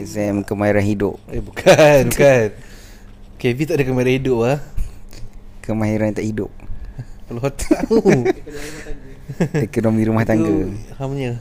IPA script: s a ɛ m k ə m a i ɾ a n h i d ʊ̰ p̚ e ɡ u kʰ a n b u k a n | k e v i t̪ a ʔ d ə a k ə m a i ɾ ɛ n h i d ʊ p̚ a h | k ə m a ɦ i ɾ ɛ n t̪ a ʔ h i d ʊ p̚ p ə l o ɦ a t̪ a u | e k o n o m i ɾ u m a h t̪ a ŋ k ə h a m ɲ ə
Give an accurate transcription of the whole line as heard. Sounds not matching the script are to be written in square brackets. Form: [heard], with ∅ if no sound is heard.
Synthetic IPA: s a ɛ m k ə m a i ɾ a n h i d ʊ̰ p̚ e [b] u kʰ a n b u k a n | k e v i t̪ a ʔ d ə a k ə m a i ɾ [a] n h i d ʊ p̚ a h | k ə m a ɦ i ɾ [a] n t̪ a ʔ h i d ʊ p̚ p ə l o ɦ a t̪ a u | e k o n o m i ɾ u m a h t̪ a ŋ [ɡ] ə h a m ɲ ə